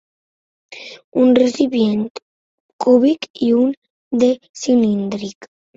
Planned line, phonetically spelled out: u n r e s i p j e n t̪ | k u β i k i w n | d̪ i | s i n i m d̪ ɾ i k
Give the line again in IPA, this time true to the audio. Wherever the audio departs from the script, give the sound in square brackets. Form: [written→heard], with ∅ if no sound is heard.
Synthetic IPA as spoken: u n r e s i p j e n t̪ | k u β i k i [w→u] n | d̪ [i→e] | s i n i [m→n] d̪ ɾ i k